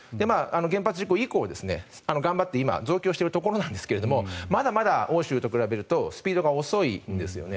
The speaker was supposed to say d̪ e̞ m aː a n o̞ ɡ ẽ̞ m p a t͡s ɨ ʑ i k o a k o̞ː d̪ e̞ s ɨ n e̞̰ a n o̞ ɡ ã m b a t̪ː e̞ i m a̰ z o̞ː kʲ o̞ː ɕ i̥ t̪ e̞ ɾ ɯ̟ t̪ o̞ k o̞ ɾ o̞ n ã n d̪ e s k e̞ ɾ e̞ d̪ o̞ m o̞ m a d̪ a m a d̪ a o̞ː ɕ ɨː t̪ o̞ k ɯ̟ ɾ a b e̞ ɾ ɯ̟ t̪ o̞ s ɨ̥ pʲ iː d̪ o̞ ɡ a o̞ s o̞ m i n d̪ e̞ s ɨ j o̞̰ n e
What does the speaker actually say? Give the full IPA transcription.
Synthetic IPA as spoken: d̪ e̞ m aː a n o̞ ɡ ẽ̞ m p a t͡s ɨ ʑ i k o i k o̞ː d̪ e̞ s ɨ n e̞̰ a n o̞ ɡ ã m b a t̪ː e̞ i m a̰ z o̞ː kʲ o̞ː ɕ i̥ t̪ e̞ ɾ ɯ̟ t̪ o̞ k o̞ ɾ o̞ n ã n d̪ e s k e̞ ɾ e̞ d̪ o̞ m o̞ m a d̪ a m a d̪ a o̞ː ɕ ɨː t̪ o̞ k ɯ̟ ɾ a b e̞ ɾ ɯ̟ t̪ o̞ s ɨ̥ pʲ iː d̪ o̞ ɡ a o̞ s o̞ i n d̪ e̞ s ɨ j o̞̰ n e